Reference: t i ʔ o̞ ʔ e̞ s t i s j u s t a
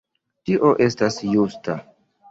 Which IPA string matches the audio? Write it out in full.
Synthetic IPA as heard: t i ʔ o̞ ʔ e̞ s t a s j u s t a